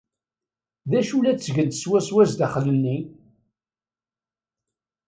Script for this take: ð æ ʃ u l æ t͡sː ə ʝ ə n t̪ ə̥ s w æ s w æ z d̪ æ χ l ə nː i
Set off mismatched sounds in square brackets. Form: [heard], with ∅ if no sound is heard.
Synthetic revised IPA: ð æ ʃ u l æ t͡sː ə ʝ ə n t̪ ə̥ s w æ s w æ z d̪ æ χ l ə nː i